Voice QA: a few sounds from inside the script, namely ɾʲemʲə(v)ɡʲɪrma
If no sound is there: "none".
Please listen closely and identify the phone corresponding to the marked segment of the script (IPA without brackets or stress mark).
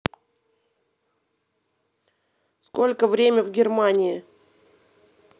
v